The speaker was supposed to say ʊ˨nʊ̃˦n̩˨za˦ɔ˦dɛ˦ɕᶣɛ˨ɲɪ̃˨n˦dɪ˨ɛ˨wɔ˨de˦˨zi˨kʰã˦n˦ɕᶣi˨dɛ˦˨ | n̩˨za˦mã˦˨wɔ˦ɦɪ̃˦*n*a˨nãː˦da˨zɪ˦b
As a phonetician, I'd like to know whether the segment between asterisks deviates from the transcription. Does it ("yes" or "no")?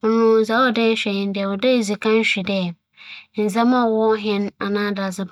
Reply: no